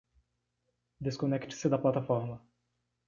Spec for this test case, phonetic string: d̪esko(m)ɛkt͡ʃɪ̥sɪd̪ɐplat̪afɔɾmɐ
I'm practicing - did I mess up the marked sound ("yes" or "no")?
yes